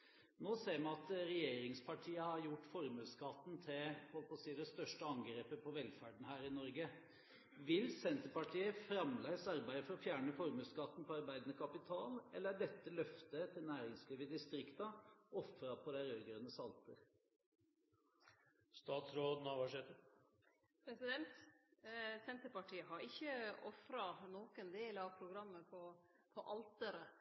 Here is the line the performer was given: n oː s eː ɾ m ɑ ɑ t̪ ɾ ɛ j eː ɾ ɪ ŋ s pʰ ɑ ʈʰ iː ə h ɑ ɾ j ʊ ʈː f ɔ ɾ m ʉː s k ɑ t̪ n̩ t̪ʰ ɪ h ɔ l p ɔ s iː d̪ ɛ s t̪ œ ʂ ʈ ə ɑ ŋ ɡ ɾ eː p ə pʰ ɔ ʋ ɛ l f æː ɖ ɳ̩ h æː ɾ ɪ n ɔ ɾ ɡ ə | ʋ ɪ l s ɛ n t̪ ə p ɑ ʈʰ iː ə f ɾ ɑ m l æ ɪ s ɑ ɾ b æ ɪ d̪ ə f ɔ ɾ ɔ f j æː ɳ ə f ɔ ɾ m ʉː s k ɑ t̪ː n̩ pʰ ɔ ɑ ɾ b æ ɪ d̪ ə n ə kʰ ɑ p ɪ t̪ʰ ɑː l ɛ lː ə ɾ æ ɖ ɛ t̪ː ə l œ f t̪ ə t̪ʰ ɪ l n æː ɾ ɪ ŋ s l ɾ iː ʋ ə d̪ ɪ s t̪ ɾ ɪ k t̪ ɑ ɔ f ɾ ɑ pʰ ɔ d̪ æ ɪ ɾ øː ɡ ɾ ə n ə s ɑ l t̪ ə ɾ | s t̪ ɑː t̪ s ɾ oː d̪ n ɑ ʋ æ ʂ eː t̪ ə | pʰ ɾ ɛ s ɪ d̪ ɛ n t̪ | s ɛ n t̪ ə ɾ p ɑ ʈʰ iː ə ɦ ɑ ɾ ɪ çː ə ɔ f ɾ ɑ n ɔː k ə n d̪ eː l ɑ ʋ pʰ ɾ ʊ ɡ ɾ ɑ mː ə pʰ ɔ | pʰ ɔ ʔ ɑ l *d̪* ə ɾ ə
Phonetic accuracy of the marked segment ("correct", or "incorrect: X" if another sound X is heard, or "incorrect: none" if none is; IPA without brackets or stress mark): incorrect: t̪